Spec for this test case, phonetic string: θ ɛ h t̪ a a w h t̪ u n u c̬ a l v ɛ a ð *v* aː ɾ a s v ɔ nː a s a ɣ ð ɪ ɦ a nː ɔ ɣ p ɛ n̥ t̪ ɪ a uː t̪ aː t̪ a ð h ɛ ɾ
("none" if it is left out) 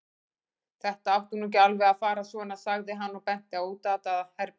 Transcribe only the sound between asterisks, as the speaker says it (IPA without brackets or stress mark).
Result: f